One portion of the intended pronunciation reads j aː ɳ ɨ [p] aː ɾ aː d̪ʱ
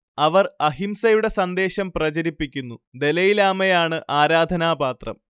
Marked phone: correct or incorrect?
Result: incorrect